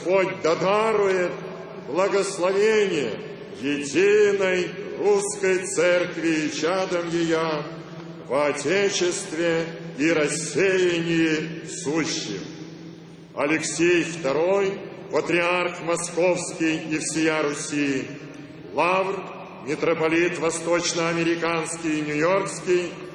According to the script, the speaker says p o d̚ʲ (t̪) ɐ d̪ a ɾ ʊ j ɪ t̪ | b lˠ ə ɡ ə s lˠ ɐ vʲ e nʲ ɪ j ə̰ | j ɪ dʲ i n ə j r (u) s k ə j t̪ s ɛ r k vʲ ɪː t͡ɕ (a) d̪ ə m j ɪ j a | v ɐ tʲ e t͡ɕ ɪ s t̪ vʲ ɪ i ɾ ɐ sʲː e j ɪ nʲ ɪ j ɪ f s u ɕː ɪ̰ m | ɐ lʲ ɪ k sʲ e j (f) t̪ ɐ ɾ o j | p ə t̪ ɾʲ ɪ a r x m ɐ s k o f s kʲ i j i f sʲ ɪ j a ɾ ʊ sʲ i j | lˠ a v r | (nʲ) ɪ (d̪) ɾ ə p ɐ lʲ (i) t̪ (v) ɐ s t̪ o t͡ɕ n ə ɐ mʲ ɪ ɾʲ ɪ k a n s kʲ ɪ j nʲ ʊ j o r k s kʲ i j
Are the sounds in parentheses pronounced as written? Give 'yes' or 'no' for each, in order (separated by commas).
no, yes, yes, yes, no, no, yes, yes